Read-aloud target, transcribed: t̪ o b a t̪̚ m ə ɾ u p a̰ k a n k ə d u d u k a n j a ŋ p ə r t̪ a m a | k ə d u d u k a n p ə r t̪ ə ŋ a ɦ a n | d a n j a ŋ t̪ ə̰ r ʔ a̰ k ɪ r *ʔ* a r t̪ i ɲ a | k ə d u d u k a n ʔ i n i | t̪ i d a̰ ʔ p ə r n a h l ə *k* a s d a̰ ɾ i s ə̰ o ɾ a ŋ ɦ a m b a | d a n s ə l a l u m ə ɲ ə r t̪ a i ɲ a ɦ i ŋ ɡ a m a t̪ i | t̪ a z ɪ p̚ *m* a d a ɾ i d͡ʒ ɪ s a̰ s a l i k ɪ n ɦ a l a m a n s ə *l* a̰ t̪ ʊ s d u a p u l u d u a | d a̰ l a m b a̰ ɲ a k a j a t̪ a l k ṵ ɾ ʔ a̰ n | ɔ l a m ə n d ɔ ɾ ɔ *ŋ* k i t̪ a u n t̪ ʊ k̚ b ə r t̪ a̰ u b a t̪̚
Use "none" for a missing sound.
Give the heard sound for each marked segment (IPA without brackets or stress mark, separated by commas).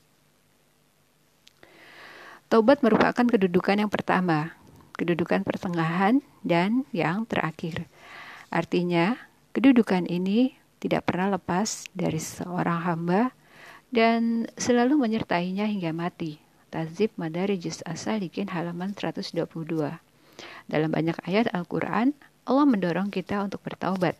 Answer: ʔ, p, m, ɾ, ŋ